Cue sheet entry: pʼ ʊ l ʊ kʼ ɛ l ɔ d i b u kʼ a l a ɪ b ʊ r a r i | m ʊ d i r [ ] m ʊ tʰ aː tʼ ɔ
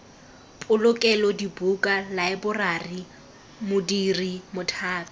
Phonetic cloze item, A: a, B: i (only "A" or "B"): B